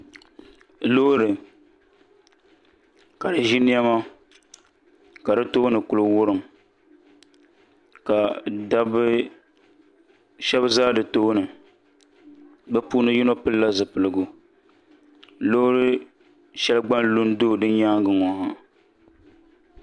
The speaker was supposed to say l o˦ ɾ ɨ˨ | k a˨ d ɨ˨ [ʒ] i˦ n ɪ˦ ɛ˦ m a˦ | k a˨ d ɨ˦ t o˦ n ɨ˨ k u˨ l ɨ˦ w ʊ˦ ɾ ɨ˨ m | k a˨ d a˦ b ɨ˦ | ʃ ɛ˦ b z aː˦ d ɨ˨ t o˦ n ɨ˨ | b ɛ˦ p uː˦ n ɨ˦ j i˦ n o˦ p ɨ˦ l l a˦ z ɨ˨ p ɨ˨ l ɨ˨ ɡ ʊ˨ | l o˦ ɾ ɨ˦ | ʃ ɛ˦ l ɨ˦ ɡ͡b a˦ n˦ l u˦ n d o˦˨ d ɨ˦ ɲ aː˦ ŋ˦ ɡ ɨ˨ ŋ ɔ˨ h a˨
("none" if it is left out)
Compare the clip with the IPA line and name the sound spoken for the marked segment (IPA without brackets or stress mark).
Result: ʒ